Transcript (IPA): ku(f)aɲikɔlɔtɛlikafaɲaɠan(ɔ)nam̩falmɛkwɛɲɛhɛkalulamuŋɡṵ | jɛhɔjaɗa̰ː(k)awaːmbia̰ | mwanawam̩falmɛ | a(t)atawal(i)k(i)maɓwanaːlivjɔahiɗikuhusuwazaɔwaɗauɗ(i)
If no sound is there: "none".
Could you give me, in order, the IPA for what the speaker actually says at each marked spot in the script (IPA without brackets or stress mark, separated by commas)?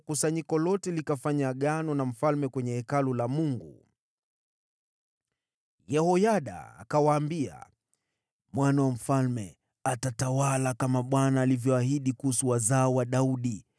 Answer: s, ɔ, k, t, a, a, i